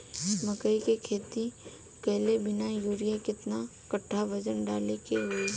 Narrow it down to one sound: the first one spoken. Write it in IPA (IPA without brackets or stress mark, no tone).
m